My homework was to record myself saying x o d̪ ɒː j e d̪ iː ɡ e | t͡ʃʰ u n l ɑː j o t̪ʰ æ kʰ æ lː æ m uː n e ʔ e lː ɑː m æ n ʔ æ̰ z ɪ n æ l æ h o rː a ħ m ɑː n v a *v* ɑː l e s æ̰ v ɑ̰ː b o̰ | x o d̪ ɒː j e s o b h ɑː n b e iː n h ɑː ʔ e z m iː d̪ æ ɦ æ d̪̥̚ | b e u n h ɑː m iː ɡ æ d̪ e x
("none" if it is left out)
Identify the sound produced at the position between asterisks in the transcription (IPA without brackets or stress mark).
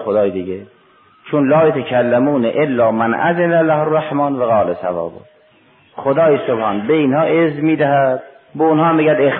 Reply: ɣ